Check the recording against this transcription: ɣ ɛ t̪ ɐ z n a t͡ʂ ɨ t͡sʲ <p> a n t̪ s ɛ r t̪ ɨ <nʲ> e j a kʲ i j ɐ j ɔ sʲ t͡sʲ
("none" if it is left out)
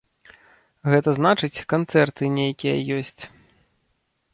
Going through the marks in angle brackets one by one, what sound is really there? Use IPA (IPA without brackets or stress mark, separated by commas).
k, nʲ